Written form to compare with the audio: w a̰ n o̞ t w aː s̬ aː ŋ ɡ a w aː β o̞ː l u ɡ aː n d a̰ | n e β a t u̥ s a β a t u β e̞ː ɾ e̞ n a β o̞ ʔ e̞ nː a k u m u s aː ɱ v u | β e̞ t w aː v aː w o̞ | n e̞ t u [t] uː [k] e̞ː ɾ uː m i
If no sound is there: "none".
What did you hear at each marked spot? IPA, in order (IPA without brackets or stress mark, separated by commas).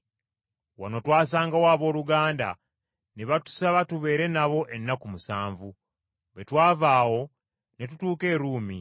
t, k